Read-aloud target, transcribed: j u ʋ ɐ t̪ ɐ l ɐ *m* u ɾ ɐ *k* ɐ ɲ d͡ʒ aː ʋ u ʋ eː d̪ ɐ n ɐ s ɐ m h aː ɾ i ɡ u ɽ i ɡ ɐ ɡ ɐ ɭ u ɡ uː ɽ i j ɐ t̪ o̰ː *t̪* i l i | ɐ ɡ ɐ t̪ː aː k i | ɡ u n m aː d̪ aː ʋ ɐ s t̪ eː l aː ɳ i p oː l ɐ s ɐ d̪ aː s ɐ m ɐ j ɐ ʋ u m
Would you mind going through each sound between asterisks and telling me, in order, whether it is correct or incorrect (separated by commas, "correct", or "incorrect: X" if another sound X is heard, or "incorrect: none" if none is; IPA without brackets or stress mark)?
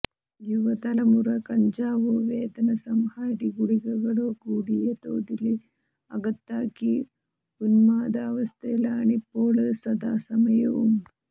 correct, correct, incorrect: d̪